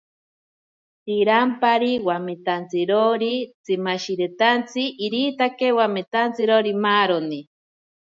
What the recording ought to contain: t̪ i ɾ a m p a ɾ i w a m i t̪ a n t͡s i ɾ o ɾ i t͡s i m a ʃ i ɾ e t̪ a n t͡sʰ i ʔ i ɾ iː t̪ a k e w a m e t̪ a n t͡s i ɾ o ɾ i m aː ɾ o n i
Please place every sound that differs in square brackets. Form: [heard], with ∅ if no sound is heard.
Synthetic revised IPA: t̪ i ɾ a m p a ɾ i w a m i t̪ a n t͡s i ɾ o ɾ i t͡s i m a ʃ i ɾ e t̪ a n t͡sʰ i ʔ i ɾ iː t̪ a k e w a m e t̪ a n t͡s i ɾ o ɾ i m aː ɾ o n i

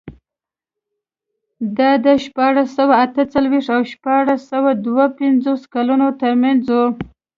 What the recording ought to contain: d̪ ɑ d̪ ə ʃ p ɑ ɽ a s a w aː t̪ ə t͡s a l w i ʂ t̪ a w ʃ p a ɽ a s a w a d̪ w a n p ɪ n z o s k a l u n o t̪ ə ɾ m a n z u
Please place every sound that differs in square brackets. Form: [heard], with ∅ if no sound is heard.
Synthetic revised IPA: d̪ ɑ d̪ ə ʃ p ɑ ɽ a s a w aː t̪ ə t͡s a l w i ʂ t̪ a w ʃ p [ɑ] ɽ a s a w a d̪ w a [∅] p ɪ n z o s k a l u n o t̪ ə ɾ m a n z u

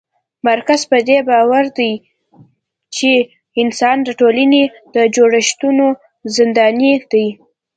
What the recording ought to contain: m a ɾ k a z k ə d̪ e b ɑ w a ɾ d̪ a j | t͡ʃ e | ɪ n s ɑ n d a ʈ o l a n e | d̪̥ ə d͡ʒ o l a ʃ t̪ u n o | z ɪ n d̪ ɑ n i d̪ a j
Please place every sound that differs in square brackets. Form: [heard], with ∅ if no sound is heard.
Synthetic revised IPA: m a ɾ k a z [p] ə d̪ e b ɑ w a ɾ d̪ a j | t͡ʃ e | ɪ n s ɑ n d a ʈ o l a n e | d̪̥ ə d͡ʒ o [ɽ] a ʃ t̪ u n o | z ɪ n d̪ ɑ n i d̪ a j

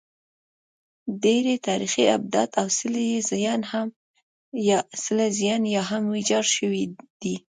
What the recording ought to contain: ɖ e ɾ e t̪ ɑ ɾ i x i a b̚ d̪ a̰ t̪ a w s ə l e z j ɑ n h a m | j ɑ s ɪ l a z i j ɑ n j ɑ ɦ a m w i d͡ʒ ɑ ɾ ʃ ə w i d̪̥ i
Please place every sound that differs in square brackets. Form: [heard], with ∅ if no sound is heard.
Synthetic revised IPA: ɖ e ɾ e t̪ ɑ ɾ i x i a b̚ d̪ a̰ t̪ a w s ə l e z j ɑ n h a m | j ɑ s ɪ l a z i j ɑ n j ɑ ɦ a m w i d͡ʒ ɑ ɾ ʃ ə w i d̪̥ i

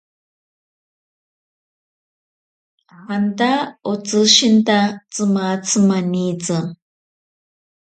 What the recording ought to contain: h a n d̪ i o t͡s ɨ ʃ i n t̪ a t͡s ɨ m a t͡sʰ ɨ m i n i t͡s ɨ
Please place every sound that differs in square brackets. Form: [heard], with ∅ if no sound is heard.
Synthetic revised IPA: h a n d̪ [a] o t͡s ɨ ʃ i n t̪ a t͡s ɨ m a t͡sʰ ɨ m [a] n i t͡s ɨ

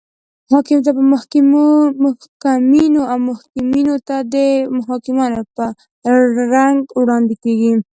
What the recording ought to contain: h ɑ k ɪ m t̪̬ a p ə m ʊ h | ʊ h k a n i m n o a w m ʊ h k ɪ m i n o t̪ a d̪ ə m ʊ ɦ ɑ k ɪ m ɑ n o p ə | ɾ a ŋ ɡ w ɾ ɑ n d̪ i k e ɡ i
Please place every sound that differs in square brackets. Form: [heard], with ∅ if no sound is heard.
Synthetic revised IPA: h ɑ k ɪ m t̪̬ a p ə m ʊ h | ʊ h k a [m] i [∅] n o a w m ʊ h k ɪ m i n o t̪ a d̪ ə m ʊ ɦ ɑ k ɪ m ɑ n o p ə | ɾ a ŋ ɡ w [ɽ] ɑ n d̪ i k e ɡ i

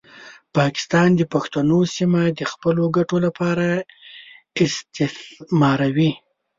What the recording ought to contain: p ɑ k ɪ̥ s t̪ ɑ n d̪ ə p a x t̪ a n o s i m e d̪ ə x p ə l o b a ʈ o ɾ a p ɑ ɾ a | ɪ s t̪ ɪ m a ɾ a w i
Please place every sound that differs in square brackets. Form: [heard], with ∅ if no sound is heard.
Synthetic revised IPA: p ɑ k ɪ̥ s t̪ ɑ n d̪ ə p a x t̪ a n o s i m [a] d̪ ə x p ə l o [ɡ] a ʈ o [l] a p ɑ ɾ a | ɪ s t̪ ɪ m [ɑ] ɾ a w i

